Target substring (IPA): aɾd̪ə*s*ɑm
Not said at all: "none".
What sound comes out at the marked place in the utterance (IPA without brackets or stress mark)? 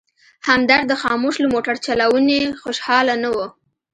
x